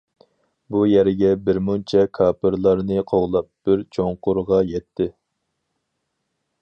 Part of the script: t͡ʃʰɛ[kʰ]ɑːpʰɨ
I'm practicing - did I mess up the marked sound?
no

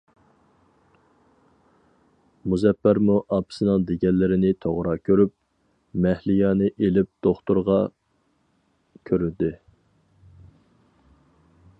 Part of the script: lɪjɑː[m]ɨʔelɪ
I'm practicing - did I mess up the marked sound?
yes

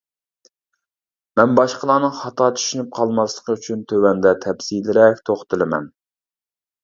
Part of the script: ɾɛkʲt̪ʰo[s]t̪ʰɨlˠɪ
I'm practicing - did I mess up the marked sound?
yes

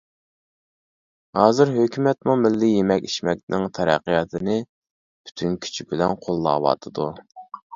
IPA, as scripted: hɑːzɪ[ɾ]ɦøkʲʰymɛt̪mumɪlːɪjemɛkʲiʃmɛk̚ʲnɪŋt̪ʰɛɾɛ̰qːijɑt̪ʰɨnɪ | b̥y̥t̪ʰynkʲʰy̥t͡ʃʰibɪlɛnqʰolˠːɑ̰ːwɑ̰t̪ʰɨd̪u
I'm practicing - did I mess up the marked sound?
no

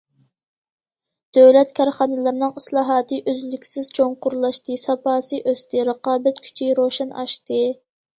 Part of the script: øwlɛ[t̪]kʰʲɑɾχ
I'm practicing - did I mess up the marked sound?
no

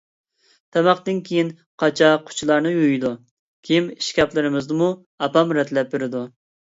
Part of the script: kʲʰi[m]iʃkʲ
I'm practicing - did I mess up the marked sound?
no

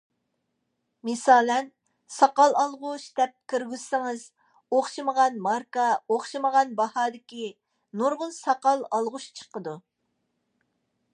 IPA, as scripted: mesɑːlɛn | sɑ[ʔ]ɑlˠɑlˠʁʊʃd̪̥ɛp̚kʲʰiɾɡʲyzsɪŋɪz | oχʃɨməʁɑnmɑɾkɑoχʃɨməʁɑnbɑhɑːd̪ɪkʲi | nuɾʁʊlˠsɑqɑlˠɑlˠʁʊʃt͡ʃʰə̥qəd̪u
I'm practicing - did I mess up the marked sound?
yes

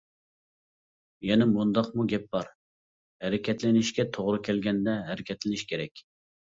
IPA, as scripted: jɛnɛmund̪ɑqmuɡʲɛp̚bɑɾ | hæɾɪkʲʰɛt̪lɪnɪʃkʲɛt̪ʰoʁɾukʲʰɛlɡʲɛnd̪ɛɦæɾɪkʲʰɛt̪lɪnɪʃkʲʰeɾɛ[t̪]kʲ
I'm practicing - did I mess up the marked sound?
yes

